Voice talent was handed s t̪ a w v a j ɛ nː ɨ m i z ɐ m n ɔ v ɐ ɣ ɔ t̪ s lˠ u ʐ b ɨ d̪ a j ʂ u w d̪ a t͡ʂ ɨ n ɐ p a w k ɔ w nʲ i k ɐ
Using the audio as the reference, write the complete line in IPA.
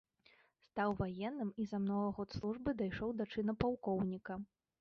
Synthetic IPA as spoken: s t̪ a w v a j ɛ nː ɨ m i z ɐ m n ɔ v ɐ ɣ ɔ t̪ s lˠ u ʐ b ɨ d̪ a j ʂ ɔ w d̪ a t͡ʂ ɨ n ɐ p a w k ɔ w nʲ i k ɐ